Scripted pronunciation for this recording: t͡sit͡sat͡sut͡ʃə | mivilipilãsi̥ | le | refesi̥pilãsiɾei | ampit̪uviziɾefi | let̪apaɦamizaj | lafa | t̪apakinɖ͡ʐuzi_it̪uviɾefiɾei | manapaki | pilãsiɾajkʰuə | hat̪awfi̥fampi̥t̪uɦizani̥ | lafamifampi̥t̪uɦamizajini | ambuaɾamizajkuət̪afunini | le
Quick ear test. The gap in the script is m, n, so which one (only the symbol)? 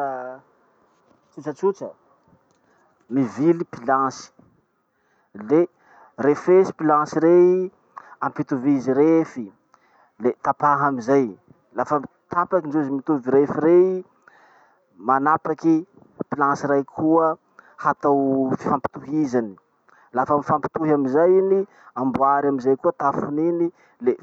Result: m